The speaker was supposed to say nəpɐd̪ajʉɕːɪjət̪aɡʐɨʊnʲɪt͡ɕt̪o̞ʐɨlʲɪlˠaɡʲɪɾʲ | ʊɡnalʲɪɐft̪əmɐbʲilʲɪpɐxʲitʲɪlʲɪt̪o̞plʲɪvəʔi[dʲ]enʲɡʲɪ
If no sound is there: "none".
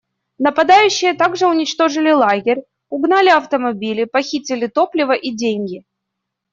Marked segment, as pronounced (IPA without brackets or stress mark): dʲ